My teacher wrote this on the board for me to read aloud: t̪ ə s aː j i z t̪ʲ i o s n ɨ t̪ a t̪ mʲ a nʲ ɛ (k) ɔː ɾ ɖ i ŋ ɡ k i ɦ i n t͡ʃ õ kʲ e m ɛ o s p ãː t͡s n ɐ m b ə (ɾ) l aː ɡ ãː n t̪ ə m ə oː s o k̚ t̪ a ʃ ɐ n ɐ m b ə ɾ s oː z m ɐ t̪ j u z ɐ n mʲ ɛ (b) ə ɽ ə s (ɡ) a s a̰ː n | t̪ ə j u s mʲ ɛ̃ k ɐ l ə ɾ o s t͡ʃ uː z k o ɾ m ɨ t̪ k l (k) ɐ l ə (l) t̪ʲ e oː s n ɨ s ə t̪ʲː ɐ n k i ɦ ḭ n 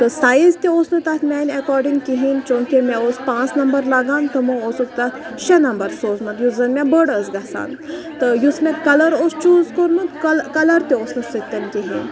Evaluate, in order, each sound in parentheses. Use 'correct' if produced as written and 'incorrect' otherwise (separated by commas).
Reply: correct, correct, correct, correct, correct, incorrect